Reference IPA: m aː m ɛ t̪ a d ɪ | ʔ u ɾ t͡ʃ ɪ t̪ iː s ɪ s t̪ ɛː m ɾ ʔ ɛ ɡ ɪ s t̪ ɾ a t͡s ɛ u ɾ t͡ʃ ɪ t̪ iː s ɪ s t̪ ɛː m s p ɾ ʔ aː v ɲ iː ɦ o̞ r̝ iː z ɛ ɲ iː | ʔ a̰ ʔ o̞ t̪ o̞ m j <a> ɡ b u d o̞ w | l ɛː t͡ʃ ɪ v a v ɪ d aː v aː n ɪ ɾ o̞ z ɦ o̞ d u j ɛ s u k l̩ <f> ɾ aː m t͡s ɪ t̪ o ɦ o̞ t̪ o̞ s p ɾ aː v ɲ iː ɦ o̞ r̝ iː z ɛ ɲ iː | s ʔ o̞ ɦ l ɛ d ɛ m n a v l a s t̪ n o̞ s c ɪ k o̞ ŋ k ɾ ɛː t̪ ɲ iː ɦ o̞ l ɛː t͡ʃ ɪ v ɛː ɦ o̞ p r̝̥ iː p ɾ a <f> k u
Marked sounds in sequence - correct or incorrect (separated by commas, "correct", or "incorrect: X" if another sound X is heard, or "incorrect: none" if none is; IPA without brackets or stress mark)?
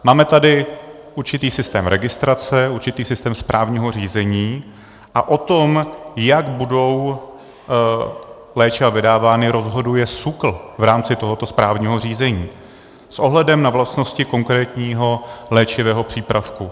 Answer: correct, incorrect: v, correct